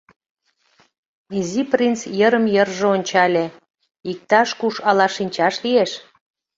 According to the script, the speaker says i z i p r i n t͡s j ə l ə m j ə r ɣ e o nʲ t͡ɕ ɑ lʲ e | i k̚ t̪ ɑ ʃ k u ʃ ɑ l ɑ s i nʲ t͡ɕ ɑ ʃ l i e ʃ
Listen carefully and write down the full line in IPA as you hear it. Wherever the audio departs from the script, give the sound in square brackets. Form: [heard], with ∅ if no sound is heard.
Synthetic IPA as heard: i z i p r i n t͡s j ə [ɾ] ə m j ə r [ʒ] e o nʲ t͡ɕ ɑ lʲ e | i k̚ t̪ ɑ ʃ k u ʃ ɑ l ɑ [ʃ] i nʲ t͡ɕ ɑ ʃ l i e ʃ